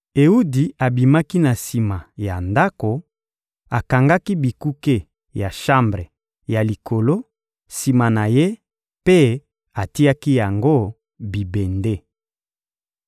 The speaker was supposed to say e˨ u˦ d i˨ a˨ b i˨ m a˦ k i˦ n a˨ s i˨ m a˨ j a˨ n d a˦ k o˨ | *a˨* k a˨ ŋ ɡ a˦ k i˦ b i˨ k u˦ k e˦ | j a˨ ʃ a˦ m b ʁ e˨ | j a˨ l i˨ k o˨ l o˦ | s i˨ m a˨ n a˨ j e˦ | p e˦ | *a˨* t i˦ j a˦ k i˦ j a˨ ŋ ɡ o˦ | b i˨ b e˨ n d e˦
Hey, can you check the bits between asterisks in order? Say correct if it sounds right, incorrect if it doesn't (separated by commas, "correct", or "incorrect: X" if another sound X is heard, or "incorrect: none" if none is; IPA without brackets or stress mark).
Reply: correct, correct